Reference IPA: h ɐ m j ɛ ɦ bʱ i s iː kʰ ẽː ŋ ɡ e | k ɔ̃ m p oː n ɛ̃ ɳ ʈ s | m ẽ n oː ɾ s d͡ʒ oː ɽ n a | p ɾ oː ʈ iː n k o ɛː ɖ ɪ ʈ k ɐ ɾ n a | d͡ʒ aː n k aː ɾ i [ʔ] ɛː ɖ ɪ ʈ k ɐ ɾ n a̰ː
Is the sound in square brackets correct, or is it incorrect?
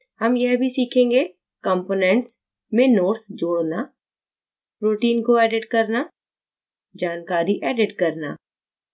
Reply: correct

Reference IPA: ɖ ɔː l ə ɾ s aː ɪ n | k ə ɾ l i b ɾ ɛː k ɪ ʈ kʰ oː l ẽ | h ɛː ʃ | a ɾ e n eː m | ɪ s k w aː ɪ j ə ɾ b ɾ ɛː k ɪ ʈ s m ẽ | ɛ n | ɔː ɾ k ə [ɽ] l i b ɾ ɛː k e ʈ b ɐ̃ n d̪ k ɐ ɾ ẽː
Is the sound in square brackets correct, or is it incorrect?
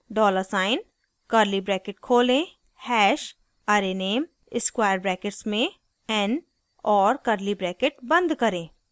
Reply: incorrect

